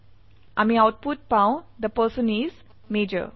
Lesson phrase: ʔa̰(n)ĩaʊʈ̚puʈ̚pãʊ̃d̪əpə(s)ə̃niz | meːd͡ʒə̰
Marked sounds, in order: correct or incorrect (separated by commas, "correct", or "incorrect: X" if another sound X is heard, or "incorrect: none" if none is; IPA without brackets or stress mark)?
incorrect: m, correct